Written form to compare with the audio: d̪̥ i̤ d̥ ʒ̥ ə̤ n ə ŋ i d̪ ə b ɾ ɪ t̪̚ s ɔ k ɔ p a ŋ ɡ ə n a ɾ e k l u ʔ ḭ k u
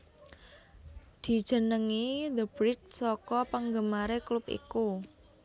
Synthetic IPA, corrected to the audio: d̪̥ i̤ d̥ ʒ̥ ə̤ n ə ŋ i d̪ ə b ɾ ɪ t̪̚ s ɔ k ɔ p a ŋ ɡ ə m a ɾ e k l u p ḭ k u